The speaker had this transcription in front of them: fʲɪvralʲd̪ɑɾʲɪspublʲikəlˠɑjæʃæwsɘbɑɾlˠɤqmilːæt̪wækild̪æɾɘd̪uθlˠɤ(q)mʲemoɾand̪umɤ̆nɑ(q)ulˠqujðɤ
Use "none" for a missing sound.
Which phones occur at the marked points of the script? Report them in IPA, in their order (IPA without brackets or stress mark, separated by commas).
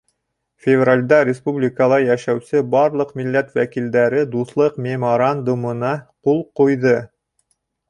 q, q